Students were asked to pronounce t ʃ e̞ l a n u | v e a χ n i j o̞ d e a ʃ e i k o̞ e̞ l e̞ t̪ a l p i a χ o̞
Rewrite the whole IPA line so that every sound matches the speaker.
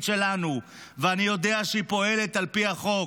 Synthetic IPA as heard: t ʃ e̞ l a n u | v e a n i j o̞ d e a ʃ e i p o̞ e̞ l e̞ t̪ a l p i a χ o̞